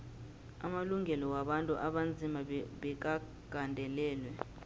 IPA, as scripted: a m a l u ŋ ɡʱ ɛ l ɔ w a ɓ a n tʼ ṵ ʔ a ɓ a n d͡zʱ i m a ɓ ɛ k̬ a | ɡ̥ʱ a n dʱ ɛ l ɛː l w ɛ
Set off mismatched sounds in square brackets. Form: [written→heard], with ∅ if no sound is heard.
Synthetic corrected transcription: a m a l u ŋ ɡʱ ɛ l ɔ w a ɓ a n tʼ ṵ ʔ a ɓ a n d͡zʱ i m a ɓ ɛ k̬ a | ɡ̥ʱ a n dʱ ɛ l ɛː l w ɛ